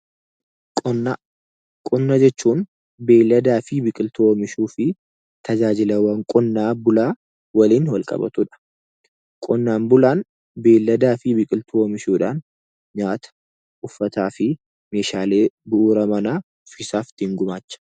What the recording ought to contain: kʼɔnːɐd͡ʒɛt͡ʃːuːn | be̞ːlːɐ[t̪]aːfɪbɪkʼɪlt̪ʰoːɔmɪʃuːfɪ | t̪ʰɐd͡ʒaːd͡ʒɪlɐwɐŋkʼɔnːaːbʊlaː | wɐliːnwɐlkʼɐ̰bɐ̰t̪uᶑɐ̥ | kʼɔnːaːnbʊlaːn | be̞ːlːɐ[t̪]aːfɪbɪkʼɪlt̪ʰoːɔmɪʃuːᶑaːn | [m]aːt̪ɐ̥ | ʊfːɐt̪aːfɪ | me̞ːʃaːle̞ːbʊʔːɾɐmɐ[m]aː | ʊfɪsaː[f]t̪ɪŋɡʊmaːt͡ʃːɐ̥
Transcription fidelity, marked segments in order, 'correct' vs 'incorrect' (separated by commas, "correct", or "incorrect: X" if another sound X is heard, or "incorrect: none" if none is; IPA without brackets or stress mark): incorrect: d̪, incorrect: d̪, incorrect: ɲ, incorrect: n, correct